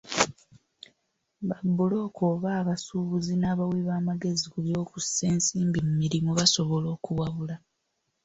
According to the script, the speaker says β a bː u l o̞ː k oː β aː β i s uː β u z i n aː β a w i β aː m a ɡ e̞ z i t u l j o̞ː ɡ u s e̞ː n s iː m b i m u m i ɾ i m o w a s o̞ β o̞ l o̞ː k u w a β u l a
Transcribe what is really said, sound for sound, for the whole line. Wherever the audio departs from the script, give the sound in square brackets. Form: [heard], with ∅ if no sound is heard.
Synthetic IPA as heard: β a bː u l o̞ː k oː β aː β [a] s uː β u z i n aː β a w i β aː m a ɡ e̞ z i [k] u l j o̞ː [k] u s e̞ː n s iː m b i m u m i ɾ i m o [β] a s o̞ β o̞ l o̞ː k u w a β u l a